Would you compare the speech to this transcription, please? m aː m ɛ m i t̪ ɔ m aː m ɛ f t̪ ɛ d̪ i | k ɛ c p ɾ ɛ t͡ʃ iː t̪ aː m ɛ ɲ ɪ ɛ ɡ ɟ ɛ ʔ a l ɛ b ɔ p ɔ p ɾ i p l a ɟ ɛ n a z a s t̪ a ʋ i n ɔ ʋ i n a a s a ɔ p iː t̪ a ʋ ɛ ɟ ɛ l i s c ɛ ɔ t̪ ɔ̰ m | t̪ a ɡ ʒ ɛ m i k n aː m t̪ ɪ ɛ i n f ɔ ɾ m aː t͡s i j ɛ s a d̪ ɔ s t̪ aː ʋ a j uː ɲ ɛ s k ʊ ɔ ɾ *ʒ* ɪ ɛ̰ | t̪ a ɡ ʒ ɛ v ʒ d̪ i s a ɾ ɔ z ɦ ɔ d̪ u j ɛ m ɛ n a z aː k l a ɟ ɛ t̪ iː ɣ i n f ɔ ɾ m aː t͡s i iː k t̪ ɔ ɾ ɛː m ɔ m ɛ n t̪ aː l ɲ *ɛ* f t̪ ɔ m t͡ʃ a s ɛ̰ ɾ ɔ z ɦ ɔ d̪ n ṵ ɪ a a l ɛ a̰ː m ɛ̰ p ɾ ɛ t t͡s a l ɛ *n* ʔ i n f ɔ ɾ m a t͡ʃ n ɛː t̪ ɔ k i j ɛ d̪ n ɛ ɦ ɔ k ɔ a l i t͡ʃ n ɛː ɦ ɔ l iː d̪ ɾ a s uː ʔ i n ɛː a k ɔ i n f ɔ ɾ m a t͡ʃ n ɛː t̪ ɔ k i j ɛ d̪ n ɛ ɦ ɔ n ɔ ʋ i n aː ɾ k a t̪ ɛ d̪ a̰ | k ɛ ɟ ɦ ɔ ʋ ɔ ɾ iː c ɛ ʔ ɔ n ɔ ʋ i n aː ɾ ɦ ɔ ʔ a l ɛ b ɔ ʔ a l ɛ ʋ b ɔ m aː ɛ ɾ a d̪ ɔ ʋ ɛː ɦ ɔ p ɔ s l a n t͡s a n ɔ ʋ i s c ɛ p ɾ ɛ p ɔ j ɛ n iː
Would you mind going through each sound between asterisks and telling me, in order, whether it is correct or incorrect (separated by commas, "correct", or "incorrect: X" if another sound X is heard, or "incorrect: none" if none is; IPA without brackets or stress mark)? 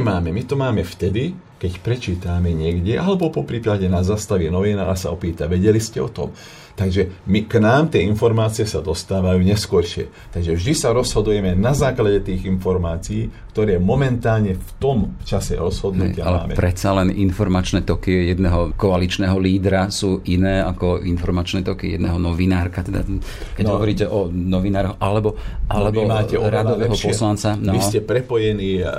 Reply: incorrect: ʃ, correct, correct